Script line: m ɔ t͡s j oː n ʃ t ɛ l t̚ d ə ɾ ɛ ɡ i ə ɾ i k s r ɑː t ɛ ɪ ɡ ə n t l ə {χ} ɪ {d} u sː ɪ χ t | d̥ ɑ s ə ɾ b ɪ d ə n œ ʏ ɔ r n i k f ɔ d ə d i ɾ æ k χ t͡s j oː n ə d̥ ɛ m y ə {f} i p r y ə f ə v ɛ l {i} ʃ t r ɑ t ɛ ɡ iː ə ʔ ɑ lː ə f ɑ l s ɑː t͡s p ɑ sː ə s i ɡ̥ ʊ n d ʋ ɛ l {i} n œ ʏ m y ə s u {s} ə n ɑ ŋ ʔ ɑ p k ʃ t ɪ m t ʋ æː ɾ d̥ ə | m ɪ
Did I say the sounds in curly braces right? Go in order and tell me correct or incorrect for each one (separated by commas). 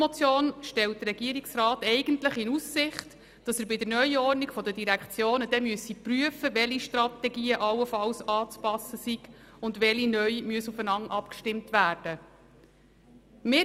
correct, incorrect, incorrect, correct, correct, incorrect